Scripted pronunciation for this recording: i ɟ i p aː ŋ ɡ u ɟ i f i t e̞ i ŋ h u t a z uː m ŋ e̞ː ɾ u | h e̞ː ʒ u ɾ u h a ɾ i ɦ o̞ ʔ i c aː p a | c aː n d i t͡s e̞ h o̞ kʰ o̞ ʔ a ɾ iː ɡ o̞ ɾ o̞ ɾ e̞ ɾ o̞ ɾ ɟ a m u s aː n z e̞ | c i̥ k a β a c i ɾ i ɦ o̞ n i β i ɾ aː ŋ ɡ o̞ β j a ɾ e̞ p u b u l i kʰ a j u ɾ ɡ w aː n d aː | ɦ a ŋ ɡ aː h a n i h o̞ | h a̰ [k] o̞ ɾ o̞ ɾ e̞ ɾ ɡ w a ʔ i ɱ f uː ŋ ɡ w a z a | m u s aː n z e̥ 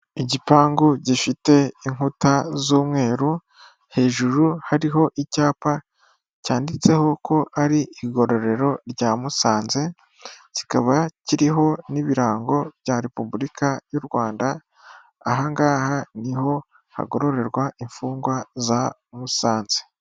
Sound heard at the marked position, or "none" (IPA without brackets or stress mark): ɡ